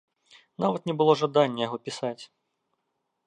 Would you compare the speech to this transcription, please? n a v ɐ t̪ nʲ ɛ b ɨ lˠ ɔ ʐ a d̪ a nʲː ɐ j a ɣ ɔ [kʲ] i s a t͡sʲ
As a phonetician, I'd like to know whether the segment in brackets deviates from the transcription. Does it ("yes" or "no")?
yes